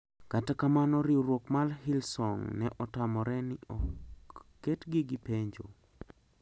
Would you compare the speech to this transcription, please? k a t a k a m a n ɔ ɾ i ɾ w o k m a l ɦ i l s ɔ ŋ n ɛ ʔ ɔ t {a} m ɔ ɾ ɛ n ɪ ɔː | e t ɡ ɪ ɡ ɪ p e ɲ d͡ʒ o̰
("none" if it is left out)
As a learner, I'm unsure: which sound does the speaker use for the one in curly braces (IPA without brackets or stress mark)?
a